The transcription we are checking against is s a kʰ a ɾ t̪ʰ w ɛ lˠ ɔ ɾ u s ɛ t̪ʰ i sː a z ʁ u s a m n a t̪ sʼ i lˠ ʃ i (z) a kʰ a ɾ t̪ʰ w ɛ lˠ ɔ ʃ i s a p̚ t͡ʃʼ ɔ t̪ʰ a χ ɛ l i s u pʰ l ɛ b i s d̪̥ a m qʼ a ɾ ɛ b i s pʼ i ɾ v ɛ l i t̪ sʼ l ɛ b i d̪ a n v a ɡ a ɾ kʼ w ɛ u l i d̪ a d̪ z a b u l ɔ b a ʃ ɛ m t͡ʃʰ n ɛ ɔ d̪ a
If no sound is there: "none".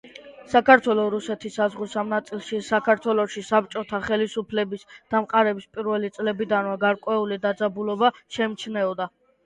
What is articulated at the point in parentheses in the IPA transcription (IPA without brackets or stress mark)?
s